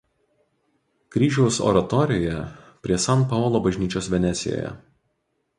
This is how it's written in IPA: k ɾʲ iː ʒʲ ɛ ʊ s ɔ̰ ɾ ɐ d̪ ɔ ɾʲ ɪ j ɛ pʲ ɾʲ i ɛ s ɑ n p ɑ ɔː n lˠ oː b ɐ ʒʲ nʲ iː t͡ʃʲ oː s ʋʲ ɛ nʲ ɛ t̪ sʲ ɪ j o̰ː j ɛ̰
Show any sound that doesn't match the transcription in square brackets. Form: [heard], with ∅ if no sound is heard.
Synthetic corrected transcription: k ɾʲ iː ʒʲ ɛ ʊ s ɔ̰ ɾ ɐ [t̪] ɔ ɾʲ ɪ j ɛ pʲ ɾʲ i ɛ s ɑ n p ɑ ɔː [∅] lˠ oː b ɐ ʒʲ nʲ iː t͡ʃʲ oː s ʋʲ ɛ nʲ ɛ t̪ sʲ ɪ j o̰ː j ɛ̰